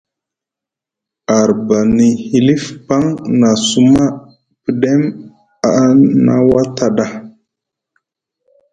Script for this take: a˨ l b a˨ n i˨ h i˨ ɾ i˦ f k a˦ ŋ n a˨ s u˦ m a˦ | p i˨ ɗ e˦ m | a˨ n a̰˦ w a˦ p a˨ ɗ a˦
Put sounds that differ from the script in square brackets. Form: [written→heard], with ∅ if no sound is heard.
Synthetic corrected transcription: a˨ [l→ɾ] b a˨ n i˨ h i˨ [ɾ→l] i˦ f [k→p] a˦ ŋ n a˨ s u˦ m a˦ | p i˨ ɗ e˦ m | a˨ n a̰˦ w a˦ [p→t] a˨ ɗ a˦